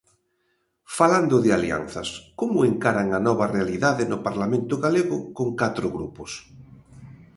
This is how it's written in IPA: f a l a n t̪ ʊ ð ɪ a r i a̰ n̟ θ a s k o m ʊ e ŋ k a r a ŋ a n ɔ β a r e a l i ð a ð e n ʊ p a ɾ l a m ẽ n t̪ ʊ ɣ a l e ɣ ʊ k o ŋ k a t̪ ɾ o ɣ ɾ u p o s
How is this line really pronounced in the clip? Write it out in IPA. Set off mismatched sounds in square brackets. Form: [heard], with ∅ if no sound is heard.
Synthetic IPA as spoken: f a l a n [d̪] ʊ ð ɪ a [l] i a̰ n̟ θ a s k o m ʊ e ŋ k a [ɾ] a ŋ a n ɔ β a r e a l i ð a ð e n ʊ p a ɾ l a m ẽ n t̪ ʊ ɣ a l e ɣ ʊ k o ŋ k a t̪ ɾ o ɣ ɾ u p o s